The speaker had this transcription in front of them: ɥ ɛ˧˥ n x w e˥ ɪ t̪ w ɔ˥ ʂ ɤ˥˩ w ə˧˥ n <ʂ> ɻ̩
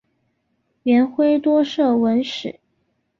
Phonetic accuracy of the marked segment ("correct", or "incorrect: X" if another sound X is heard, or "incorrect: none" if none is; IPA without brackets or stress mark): correct